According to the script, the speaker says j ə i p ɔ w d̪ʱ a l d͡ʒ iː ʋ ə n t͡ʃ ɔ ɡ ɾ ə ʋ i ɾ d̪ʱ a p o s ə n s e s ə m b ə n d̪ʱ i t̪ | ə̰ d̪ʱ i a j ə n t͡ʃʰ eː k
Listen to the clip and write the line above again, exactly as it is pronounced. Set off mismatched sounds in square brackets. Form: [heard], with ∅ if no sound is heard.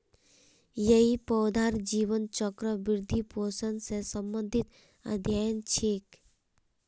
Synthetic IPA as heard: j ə i p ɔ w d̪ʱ a [ɾ] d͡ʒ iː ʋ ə n t͡ʃ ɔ [k] ɾ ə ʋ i ɾ d̪ʱ [i] p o s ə n s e s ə m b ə n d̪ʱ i t̪ | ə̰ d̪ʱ [j] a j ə n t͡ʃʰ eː k